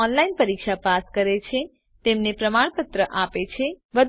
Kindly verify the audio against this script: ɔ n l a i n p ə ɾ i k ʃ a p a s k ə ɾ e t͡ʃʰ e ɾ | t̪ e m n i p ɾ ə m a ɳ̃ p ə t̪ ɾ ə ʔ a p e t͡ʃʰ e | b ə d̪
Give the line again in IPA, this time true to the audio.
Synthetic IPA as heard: ɔ n l a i n p ə ɾ i k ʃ a p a s k ə ɾ e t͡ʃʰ e | t̪ e m n e p ɾ ə m a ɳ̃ p ə t̪ ɾ ə ʔ a p e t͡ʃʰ e | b ə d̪